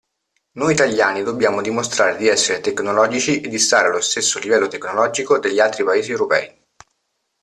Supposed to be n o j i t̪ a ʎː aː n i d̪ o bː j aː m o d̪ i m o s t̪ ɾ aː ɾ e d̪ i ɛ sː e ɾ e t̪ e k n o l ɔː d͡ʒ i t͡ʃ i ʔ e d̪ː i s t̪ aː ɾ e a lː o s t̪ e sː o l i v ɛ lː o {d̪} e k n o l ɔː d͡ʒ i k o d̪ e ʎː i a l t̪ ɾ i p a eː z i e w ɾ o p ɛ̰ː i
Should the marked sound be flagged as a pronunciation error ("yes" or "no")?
yes